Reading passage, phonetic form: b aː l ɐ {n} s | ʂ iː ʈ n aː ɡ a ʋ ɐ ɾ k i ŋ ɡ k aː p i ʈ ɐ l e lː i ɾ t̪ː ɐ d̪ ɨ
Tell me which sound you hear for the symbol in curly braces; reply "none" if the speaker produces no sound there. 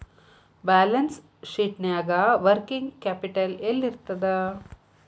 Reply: n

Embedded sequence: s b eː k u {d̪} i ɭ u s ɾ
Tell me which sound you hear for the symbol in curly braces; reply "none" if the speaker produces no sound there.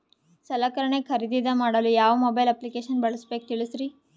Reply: t̪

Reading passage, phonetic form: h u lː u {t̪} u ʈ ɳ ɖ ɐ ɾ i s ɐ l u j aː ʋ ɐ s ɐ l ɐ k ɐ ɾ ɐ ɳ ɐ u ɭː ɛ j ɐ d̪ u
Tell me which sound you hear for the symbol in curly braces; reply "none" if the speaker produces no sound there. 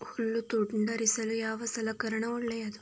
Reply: t̪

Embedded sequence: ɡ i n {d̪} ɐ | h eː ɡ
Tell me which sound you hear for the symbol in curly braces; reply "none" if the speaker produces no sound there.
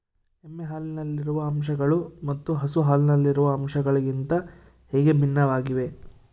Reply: t̪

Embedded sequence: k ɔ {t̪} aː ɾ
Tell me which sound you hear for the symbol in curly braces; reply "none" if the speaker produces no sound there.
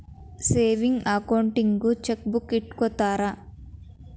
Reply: t̪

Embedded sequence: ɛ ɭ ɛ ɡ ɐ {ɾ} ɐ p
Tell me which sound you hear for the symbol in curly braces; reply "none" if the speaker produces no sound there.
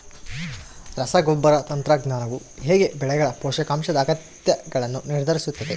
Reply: ɭ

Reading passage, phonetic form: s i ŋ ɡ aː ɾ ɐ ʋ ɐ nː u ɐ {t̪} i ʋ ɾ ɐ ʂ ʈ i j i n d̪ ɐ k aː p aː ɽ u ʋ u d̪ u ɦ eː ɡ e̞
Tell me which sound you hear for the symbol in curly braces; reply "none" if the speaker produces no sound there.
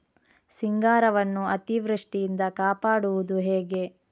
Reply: t̪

